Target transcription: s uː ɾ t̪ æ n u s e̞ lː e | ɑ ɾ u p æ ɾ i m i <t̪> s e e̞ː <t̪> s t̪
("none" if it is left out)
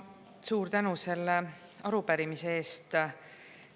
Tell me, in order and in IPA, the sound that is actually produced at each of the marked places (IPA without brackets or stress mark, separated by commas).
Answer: none, none